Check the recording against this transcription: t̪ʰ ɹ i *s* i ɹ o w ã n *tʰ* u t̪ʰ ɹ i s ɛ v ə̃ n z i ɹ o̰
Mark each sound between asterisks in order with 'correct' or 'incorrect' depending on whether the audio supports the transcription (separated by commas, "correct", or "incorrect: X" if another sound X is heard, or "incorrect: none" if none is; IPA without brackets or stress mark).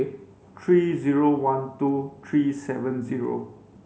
incorrect: z, incorrect: t